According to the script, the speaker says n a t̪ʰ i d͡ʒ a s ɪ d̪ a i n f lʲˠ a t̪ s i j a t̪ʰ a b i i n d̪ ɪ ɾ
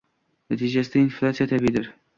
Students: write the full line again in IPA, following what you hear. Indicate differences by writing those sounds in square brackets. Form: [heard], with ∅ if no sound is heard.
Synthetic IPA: n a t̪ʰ i d͡ʒ a s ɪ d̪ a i n f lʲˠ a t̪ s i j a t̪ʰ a b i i [∅] d̪ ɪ ɾ